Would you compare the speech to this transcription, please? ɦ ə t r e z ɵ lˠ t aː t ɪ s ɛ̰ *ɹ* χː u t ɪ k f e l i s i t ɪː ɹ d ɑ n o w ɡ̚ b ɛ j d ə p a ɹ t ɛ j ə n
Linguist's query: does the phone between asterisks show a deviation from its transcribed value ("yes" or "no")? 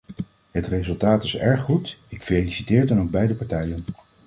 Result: no